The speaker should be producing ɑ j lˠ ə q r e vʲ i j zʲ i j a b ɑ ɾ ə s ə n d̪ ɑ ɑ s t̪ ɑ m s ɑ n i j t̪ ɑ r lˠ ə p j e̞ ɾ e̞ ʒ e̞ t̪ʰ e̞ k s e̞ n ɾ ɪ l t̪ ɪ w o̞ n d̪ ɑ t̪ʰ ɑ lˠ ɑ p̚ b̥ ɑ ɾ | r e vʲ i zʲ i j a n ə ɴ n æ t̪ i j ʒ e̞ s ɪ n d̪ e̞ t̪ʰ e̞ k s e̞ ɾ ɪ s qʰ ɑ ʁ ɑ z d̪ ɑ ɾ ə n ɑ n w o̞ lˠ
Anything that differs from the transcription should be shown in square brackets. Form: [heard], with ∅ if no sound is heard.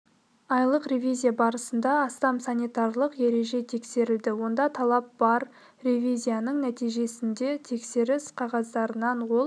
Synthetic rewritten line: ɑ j lˠ ə q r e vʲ i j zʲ i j a b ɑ ɾ ə s ə n d̪ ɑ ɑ s t̪ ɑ m s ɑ n i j t̪ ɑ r lˠ ə [q] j e̞ ɾ e̞ ʒ e̞ t̪ʰ e̞ k s e̞ [∅] ɾ ɪ l [d̪] ɪ w o̞ n d̪ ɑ t̪ʰ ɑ lˠ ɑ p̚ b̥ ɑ ɾ | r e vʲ i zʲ i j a n ə ɴ n æ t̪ i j ʒ e̞ s ɪ n d̪ e̞ t̪ʰ e̞ k s e̞ ɾ ɪ s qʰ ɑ ʁ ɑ z d̪ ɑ ɾ ə n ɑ n w o̞ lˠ